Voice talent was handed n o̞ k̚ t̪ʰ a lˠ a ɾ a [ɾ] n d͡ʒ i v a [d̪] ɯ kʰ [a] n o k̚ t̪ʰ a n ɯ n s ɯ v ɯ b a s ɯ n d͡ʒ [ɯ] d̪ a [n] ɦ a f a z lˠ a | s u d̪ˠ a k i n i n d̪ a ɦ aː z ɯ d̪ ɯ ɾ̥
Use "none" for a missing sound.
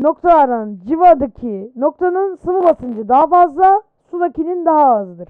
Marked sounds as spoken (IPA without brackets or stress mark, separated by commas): none, d̪, i, ɯ, none